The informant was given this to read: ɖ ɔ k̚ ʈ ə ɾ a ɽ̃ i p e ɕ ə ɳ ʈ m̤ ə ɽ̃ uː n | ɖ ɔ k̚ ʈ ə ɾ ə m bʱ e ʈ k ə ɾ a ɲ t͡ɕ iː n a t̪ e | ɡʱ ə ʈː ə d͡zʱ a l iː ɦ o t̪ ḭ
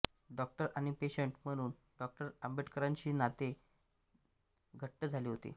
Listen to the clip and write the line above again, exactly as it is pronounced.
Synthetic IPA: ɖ ɔ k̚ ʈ ə ɾ a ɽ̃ i p e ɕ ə ɳ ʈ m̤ ə ɽ̃ uː n | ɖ ɔ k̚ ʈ ə ɾ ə m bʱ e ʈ k ə ɾ a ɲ t͡ɕ iː n a t̪ e | ɡʱ ə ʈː ə d͡zʱ a l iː ɦ o t̪ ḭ